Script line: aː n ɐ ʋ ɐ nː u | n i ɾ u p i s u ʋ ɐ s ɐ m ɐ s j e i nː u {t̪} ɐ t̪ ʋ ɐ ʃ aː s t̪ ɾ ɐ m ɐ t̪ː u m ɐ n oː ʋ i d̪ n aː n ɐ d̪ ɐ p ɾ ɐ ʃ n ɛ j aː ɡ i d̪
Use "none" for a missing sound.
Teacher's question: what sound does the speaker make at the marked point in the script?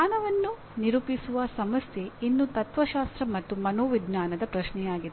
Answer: t̪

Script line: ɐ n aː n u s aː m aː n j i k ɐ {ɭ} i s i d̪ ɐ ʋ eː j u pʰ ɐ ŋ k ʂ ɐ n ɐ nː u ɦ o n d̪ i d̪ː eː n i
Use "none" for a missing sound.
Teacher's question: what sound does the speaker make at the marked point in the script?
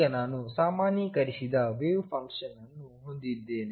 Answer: ɾ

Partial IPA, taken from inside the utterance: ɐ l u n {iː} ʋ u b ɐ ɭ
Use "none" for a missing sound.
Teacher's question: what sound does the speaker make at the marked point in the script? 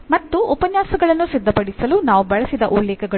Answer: aː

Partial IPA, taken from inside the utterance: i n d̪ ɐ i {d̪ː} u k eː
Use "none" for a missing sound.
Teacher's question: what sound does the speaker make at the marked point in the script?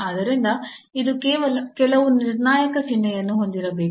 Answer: d̪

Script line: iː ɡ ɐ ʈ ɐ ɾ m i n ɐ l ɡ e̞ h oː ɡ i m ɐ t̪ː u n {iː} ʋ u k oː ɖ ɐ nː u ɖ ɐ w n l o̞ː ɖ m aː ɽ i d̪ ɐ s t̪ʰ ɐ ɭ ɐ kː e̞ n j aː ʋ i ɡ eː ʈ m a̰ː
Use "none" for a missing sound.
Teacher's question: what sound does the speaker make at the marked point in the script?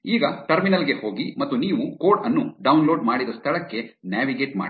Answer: iː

